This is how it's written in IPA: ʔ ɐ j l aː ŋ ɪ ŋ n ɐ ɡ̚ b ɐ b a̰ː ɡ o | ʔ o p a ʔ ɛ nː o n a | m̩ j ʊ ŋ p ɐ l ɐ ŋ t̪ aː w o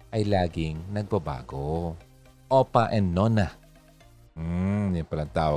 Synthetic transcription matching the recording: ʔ ɐ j l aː ɡ ɪ ŋ n ɐ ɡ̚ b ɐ b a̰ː ɡ o | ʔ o p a ʔ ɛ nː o n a | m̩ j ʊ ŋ p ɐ l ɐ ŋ t̪ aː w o